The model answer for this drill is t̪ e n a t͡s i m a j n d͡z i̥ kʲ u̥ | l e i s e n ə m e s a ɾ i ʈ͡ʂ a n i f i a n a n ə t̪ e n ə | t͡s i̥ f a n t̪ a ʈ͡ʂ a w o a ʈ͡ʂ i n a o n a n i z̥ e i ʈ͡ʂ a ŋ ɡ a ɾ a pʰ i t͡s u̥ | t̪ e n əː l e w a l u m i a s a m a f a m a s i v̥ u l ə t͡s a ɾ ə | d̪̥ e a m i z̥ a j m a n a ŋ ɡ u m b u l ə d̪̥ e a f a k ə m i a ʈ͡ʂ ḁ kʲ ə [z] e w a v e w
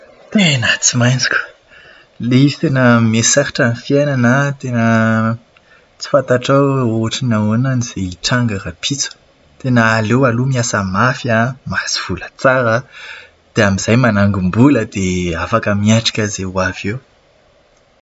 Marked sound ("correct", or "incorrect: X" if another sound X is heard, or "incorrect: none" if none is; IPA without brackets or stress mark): correct